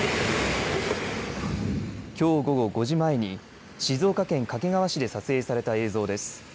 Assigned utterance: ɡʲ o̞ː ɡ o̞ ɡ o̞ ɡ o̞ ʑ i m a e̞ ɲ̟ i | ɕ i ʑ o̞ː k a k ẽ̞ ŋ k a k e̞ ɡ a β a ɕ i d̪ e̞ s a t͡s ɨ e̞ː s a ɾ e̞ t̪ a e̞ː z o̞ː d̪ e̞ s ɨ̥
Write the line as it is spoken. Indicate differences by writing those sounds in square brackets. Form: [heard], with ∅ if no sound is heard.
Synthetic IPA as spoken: [kʲ] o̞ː ɡ o̞ ɡ o̞ ɡ o̞ ʑ i m a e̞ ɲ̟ i | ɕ i [z] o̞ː k a k ẽ̞ ŋ k a k e̞ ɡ a β a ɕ i d̪ e̞ s a t͡s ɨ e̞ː s a ɾ e̞ t̪ a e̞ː z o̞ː d̪ e̞ s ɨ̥

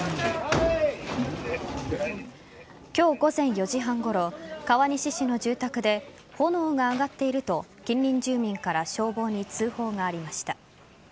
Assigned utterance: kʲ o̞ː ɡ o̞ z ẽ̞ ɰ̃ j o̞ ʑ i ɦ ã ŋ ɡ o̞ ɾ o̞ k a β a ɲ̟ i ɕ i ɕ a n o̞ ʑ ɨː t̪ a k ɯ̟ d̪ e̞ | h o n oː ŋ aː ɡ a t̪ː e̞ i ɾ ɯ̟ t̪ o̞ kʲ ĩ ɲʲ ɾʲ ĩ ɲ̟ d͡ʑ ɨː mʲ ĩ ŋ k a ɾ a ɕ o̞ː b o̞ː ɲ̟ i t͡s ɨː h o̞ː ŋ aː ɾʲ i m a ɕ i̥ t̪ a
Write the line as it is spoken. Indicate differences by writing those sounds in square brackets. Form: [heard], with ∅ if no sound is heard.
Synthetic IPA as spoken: kʲ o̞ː ɡ o̞ z ẽ̞ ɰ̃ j o̞ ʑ i ɦ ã ŋ ɡ o̞ ɾ o̞ k a β a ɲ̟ i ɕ i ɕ [i] n o̞ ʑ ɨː t̪ a k ɯ̟ d̪ e̞ | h o n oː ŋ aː ɡ a t̪ː e̞ i ɾ ɯ̟ t̪ o̞ kʲ ĩ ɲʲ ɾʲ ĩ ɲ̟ d͡ʑ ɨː mʲ ĩ ŋ k a ɾ a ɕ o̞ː b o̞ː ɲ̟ i t͡s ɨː h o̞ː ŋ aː ɾʲ i m a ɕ i̥ t̪ a

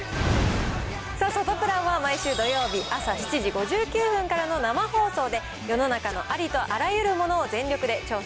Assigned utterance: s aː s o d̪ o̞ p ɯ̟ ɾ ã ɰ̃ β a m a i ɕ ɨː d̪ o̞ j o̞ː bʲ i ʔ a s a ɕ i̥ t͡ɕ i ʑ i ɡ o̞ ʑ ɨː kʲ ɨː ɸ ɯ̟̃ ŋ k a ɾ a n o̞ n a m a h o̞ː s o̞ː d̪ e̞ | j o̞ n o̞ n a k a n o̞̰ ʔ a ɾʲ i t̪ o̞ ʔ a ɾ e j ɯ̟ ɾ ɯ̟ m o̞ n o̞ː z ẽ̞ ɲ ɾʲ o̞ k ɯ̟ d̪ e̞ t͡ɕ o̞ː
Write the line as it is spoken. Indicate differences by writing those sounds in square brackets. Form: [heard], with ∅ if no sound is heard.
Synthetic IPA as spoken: s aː s o [t̪] o̞ p ɯ̟ ɾ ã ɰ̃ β a m a i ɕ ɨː d̪ o̞ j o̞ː bʲ i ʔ a s a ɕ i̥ t͡ɕ i ʑ i ɡ o̞ ʑ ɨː kʲ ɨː ɸ ɯ̟̃ ŋ k a ɾ a n o̞ n a m a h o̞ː s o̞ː d̪ e̞ | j o̞ n o̞ n a k a n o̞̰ ʔ a ɾʲ i t̪ o̞ ʔ a ɾ [a] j ɯ̟ ɾ ɯ̟ m o̞ n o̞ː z ẽ̞ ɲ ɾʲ o̞ k ɯ̟ d̪ e̞ t͡ɕ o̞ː

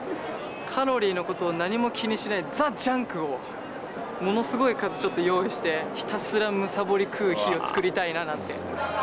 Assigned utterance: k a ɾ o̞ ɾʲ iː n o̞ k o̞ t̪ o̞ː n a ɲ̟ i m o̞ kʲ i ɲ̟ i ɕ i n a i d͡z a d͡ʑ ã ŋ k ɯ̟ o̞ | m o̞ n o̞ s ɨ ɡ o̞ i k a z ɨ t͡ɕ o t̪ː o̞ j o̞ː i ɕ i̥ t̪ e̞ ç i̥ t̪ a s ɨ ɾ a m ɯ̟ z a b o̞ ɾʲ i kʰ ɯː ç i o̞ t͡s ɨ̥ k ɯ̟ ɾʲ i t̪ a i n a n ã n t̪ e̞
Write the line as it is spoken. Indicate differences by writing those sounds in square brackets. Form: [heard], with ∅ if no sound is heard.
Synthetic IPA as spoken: [kʰ] a ɾ o̞ ɾʲ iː n o̞ k o̞ t̪ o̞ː n a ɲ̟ i m o̞ kʲ i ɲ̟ i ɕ i n a i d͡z a d͡ʑ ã ŋ k ɯ̟ o̞ | m o̞ n o̞ s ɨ ɡ o̞ i k a z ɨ t͡ɕ o t̪ː o̞ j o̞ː i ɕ i̥ t̪ e̞ ç i̥ t̪ a s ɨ ɾ a m ɯ̟ [s] a b o̞ ɾʲ i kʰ ɯː ç i o̞ t͡s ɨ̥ k ɯ̟ ɾʲ i t̪ a i n a n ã n t̪ e̞

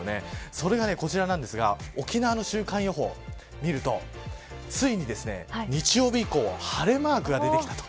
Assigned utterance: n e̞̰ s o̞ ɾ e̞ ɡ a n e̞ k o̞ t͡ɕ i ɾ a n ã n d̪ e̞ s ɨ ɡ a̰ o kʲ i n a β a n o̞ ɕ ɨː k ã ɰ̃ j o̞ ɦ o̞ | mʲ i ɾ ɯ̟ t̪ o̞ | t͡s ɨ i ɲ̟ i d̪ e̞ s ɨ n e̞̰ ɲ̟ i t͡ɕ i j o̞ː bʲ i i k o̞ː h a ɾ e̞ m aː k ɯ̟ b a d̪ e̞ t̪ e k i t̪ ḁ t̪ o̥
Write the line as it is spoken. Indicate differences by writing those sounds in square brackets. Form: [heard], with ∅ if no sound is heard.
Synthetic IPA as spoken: n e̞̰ s o̞ ɾ e̞ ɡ a n e̞ k o̞ t͡ɕ i ɾ a n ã n d̪ e̞ s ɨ ɡ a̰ o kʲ i n a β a n o̞ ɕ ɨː k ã ɰ̃ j o̞ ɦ o̞ | mʲ i ɾ ɯ̟ t̪ o̞ | t͡s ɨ i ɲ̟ i d̪ e̞ s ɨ n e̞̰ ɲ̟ i t͡ɕ i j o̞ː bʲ i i k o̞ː h a ɾ e̞ m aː k ɯ̟ [ɡ] a d̪ e̞ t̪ e k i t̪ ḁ t̪ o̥

